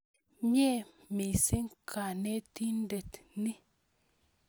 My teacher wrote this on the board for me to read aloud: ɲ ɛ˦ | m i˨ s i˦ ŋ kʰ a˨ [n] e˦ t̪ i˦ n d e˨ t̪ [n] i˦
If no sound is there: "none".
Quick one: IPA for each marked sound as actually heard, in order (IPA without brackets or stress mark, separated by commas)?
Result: n, n